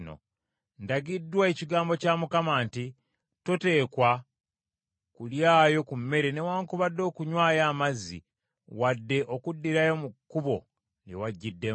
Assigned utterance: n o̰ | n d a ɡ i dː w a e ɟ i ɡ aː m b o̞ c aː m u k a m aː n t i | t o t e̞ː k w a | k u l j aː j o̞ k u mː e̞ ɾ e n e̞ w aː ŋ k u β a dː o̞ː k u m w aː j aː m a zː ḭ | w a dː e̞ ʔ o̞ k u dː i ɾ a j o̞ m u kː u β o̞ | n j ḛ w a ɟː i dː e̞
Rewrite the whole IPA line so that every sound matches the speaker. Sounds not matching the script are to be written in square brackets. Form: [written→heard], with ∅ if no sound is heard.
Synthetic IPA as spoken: n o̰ | n d a ɡ i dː w a e [ɟ→c] i ɡ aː m b o̞ c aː m u k a m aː n t i | t o t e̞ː k w a | k u l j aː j o̞ k u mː e̞ ɾ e n e̞ w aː ŋ k u β a dː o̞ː k u [m→ɲ] w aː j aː m a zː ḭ | w a dː e̞ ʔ o̞ k u dː i ɾ a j o̞ m u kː u β o̞ | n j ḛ w a ɟː i dː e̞